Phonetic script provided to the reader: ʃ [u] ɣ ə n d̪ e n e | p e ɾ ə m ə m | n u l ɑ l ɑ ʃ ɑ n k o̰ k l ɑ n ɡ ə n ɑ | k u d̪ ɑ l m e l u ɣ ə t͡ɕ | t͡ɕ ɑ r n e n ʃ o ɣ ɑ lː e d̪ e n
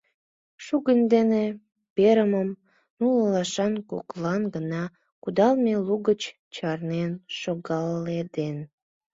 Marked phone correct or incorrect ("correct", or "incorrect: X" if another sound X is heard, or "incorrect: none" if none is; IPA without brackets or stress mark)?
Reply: correct